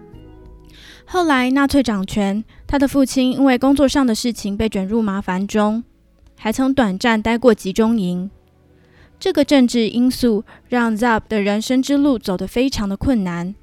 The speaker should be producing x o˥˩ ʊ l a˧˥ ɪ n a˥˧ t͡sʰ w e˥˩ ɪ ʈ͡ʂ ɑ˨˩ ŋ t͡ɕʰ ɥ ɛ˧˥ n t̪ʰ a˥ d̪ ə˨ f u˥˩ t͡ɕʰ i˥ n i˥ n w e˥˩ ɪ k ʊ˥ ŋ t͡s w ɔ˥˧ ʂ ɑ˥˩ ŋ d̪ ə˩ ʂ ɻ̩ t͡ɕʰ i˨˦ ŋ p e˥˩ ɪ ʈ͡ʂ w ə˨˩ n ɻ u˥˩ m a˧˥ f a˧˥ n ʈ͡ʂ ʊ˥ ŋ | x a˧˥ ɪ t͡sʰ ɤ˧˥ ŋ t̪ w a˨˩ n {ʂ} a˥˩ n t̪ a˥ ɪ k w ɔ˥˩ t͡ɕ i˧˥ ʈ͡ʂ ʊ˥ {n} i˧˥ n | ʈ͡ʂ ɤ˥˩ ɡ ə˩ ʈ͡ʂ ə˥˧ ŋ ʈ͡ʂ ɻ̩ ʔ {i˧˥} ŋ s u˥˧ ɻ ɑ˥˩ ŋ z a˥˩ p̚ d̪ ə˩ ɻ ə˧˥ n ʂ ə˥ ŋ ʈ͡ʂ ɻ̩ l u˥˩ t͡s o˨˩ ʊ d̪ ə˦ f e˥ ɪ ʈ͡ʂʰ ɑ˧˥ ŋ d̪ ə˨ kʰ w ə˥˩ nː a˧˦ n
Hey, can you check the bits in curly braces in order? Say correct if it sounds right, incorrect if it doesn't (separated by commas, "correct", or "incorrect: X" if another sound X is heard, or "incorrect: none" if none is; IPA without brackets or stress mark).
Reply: incorrect: ʈ͡ʂ, incorrect: ŋ, incorrect: i˥